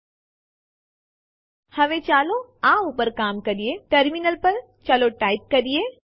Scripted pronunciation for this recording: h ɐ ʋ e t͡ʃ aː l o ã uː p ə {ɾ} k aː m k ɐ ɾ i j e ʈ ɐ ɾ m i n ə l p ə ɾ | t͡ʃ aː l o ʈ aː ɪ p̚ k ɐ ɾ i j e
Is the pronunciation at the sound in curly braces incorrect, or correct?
correct